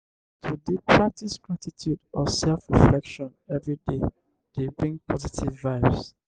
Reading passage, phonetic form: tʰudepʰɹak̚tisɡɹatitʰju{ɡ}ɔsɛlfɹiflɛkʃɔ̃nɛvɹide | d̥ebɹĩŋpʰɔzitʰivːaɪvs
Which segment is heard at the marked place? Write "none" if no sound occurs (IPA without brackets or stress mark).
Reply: d